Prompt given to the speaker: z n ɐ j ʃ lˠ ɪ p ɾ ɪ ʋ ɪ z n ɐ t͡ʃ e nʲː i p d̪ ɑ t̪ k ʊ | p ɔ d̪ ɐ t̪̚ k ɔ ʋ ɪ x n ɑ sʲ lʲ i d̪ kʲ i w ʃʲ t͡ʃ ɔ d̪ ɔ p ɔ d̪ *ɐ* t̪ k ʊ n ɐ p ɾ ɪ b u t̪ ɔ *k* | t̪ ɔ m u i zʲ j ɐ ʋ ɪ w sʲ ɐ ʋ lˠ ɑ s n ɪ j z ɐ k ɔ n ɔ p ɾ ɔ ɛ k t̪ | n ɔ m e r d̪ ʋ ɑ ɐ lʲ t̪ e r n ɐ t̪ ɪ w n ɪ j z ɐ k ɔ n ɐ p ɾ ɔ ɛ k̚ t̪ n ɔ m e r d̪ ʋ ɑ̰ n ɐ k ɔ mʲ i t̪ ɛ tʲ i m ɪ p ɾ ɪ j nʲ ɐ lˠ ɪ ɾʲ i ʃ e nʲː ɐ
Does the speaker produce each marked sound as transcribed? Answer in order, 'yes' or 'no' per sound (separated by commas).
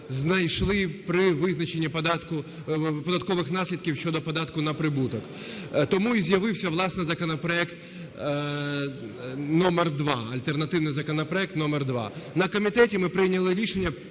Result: no, yes